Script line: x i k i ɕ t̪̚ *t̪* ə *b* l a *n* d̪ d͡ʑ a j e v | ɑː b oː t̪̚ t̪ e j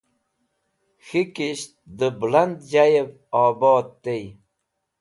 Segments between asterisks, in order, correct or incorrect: incorrect: d̪, correct, correct

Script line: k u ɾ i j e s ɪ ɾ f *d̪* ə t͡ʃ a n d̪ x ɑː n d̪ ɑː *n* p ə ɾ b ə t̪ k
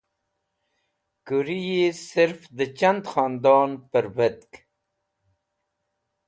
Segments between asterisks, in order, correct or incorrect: correct, correct

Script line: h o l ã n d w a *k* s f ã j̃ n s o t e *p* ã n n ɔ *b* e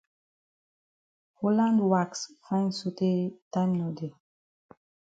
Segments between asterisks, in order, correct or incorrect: correct, incorrect: t, incorrect: d

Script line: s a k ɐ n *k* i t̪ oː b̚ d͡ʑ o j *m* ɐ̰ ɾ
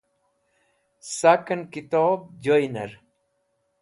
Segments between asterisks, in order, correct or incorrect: correct, incorrect: n

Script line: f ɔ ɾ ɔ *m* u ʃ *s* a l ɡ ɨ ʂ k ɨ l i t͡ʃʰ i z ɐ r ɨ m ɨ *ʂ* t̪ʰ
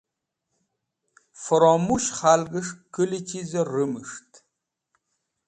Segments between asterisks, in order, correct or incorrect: correct, incorrect: χ, correct

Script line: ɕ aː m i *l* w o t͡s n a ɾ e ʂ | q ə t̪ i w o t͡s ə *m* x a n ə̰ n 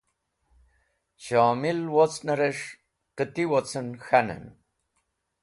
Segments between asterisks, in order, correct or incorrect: correct, incorrect: n

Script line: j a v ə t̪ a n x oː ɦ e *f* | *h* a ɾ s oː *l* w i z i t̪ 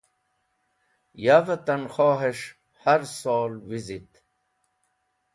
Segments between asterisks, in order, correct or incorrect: incorrect: ʂ, correct, correct

